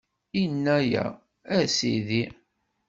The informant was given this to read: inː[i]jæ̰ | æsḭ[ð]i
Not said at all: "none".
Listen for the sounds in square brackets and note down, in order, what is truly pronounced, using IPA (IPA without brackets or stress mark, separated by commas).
æ, ð